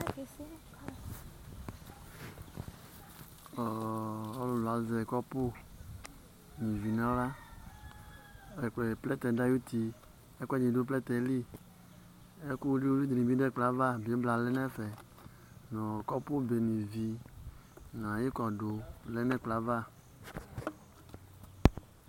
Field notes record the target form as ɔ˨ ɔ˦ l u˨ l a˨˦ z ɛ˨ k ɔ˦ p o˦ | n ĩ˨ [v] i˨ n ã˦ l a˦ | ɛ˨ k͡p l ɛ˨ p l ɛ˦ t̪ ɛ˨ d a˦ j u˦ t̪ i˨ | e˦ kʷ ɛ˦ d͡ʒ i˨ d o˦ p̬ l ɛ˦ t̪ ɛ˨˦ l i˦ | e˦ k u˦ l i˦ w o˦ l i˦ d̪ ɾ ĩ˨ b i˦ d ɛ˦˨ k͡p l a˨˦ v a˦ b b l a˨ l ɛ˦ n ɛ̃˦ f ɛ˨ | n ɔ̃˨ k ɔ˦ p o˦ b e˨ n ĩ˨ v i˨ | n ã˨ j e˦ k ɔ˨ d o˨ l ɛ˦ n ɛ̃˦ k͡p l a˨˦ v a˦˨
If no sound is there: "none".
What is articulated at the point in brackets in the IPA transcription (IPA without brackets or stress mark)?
v